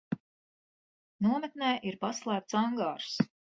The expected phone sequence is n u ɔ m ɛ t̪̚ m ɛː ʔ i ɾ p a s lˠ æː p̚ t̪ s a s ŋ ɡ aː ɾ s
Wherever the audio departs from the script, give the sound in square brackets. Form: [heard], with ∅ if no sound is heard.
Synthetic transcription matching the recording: n u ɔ m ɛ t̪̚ [n] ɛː ʔ i ɾ p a s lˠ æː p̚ t̪ s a [∅] ŋ ɡ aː ɾ s